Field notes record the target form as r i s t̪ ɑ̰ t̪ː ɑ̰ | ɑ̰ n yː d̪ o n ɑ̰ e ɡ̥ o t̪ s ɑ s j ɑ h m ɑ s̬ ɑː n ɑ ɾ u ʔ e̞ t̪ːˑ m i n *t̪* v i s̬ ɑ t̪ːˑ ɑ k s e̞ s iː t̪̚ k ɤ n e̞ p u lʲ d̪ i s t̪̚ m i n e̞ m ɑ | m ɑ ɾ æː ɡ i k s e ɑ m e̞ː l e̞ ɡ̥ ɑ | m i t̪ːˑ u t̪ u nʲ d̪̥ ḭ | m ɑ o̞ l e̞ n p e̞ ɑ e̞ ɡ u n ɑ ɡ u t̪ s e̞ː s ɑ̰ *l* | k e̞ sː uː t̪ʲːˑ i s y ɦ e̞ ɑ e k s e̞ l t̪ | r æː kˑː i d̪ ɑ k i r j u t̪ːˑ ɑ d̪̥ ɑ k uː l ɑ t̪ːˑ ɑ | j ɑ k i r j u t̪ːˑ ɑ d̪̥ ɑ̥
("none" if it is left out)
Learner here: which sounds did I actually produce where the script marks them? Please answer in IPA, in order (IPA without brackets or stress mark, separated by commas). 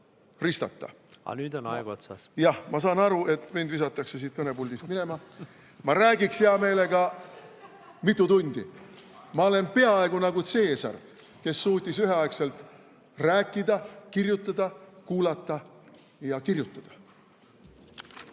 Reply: d̪, r